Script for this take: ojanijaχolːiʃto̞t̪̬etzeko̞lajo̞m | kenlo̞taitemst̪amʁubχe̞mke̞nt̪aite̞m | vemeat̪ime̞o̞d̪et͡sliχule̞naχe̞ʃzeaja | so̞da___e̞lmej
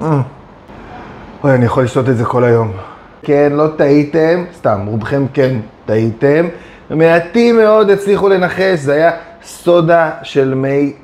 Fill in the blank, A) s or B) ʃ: B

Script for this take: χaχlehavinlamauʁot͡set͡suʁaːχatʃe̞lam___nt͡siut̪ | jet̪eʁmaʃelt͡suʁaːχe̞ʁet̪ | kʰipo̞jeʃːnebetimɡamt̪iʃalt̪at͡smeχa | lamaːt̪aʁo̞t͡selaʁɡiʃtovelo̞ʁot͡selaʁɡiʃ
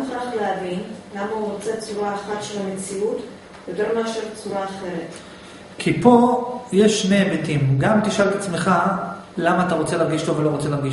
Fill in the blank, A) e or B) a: A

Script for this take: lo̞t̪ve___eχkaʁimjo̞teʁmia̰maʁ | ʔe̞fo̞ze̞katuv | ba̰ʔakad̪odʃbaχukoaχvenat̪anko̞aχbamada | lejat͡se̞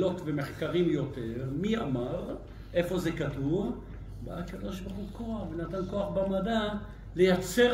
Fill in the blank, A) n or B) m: B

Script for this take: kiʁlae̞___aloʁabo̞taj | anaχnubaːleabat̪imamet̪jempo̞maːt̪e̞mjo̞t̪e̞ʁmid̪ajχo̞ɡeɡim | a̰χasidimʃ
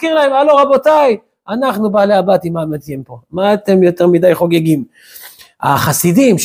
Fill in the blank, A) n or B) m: B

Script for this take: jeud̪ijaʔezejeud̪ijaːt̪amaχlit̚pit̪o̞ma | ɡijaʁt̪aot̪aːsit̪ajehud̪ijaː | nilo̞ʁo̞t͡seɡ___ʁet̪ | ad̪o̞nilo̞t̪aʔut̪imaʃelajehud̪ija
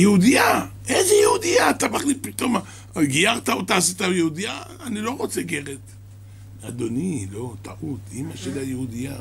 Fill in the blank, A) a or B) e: B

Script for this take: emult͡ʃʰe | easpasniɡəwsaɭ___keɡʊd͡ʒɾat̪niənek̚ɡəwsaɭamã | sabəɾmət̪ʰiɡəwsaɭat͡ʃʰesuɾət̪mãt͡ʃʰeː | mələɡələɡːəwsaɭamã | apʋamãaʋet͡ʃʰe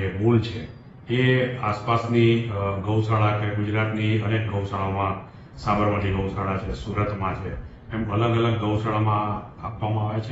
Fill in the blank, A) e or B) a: B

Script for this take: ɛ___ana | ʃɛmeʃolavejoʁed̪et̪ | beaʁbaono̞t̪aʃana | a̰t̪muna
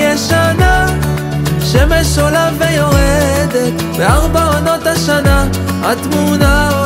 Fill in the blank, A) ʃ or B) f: A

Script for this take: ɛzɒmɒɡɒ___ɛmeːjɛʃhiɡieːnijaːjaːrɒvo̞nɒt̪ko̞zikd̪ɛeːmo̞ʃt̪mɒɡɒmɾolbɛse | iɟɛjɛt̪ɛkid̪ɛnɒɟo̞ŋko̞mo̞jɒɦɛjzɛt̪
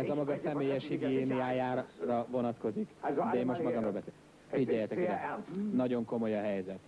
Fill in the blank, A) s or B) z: A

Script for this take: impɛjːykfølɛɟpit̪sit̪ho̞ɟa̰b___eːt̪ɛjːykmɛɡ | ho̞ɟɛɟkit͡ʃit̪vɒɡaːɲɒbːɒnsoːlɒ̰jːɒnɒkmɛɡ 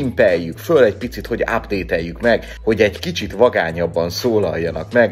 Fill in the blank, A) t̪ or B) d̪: B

